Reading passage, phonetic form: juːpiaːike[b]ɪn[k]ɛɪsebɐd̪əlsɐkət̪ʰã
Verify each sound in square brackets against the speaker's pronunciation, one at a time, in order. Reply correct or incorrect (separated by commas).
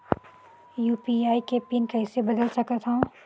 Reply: incorrect, correct